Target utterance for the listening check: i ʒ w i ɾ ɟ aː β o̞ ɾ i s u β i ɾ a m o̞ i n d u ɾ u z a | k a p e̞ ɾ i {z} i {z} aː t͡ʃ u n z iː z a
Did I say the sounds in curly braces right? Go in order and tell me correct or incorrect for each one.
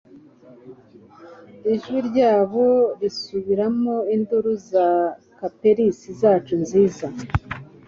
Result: incorrect: s, correct

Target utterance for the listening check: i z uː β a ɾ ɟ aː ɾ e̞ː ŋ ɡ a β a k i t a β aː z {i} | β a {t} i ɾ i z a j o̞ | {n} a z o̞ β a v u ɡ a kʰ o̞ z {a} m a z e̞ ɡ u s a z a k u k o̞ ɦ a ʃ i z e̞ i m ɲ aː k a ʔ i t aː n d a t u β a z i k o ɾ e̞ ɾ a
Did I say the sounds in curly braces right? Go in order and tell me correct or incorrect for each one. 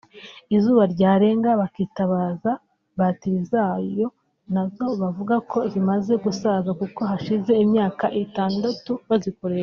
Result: incorrect: a, correct, correct, incorrect: i

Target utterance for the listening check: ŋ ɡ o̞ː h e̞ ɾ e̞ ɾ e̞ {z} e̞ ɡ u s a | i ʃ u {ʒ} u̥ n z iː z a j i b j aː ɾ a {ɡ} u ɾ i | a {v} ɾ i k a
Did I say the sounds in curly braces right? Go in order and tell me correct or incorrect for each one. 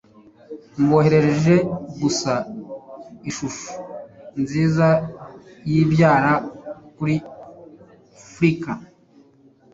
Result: incorrect: ʒ, incorrect: ʃ, incorrect: k, incorrect: f

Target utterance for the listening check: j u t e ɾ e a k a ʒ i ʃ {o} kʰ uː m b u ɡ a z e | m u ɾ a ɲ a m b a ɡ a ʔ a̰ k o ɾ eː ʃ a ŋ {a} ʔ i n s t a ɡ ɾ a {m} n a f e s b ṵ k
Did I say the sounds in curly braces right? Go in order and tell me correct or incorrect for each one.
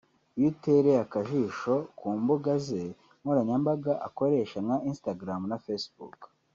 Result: correct, correct, correct

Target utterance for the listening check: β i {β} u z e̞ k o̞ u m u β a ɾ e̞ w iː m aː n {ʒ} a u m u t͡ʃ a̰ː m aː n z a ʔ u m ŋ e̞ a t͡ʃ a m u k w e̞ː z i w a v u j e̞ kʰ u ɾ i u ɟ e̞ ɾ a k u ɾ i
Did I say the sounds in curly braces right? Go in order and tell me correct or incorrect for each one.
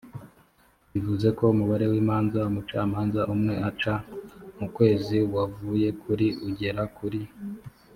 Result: incorrect: v, incorrect: z

